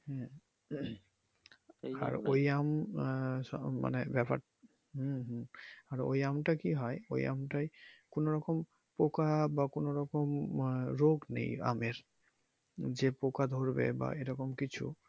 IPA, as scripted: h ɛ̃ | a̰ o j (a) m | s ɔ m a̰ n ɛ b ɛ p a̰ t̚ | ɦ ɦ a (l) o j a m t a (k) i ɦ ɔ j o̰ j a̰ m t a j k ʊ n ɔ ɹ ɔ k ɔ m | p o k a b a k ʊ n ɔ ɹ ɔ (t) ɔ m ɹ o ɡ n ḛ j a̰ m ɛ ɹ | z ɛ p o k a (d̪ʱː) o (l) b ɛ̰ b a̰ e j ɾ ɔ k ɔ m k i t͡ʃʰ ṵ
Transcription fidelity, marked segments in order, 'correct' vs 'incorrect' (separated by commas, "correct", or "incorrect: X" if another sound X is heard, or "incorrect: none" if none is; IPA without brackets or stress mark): correct, incorrect: ɹ, correct, incorrect: k, incorrect: d̪ʱ, incorrect: ɹ